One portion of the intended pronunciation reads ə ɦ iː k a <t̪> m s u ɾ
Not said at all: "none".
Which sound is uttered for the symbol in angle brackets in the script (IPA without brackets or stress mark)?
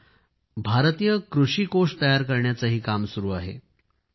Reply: none